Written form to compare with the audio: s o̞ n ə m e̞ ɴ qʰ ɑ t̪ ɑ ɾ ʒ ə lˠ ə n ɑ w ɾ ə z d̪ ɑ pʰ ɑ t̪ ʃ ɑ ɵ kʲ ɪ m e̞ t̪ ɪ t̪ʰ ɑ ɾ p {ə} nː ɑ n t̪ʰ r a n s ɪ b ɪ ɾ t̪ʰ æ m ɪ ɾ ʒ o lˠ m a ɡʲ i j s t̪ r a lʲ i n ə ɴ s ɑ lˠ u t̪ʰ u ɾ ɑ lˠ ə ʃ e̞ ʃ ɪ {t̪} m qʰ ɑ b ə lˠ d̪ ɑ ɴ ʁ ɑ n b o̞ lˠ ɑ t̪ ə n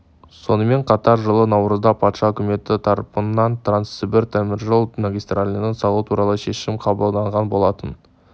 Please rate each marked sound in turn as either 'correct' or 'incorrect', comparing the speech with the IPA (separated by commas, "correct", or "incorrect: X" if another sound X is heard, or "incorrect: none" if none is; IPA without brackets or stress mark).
correct, incorrect: none